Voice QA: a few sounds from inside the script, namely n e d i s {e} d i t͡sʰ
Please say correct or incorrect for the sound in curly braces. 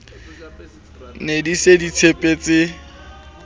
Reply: correct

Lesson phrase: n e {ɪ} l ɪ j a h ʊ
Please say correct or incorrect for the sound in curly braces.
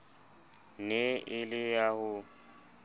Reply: correct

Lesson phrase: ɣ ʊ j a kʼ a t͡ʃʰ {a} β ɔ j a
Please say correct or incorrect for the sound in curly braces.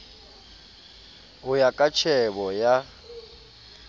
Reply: incorrect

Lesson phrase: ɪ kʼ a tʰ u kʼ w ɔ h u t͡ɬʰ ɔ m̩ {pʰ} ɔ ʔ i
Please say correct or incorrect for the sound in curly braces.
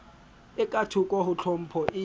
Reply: correct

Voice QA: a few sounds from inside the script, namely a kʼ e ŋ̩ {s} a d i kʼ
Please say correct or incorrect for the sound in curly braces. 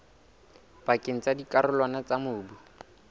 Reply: incorrect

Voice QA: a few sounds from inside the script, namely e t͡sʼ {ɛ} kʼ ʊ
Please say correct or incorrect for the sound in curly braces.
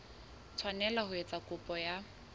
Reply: incorrect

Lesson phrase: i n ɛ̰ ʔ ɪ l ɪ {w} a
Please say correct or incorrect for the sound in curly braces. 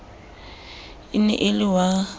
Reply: correct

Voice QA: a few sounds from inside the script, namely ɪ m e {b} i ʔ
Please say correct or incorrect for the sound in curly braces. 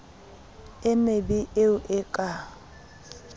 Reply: correct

